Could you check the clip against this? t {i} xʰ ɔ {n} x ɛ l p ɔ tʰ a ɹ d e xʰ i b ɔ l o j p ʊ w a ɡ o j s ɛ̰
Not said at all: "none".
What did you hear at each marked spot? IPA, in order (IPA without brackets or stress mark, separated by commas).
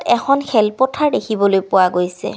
ɛ, n